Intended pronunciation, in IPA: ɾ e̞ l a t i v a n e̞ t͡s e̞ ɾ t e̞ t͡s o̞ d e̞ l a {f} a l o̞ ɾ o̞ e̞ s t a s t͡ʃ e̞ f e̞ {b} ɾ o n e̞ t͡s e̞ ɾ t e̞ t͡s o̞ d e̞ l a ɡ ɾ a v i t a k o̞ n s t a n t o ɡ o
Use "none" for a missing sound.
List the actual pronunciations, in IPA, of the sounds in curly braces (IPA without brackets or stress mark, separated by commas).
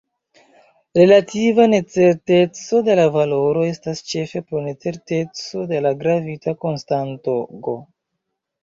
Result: v, p